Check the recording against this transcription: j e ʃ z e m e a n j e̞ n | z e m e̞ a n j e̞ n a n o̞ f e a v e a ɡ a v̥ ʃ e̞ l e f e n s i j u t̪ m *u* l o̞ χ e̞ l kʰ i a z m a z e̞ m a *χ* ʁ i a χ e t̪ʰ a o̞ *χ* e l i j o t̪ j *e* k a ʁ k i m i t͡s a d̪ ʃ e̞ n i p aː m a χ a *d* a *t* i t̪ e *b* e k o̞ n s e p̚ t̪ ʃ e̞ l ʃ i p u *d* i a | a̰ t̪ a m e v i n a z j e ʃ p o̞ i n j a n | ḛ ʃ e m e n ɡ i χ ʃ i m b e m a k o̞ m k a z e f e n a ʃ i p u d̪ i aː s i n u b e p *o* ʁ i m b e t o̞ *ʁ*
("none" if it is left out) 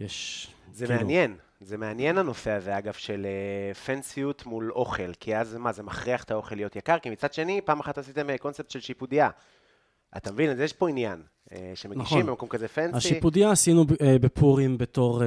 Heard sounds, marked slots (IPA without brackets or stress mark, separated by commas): u, χ, χ, a, t, s, m, d, u, ʁ